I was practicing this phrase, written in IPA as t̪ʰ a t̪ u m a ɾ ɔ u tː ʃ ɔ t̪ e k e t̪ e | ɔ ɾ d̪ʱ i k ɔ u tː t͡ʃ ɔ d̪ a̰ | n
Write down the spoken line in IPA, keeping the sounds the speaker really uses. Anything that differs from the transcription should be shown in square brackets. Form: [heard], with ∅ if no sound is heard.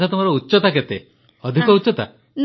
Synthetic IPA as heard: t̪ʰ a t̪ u m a ɾ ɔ u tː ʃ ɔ t̪ [a] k e t̪ e | ɔ [∅] d̪ʱ i k ɔ u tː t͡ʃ ɔ [t̪] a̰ | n